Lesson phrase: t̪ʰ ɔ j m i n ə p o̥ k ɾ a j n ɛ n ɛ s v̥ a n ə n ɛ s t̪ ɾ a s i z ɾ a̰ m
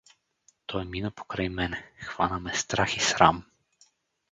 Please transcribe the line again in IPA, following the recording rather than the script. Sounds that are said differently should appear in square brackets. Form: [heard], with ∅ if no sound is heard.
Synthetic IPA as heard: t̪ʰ ɔ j m i n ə p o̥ k ɾ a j [m] ɛ n ɛ [x] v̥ a n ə [m] ɛ s t̪ ɾ a [x] i [s] ɾ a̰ m